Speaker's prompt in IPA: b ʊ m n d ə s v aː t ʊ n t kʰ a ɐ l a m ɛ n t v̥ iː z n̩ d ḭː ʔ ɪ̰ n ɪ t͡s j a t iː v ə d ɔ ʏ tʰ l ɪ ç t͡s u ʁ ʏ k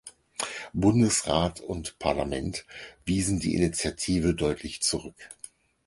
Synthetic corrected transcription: b ʊ n d ə s ʁ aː t ʊ n t pʰ a ɐ l a m ɛ n t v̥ iː z n̩ d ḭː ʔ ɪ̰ n i t͡s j a tʰ iː v ə d ɔ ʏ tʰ l ɪ ç t͡s u ʁ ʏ k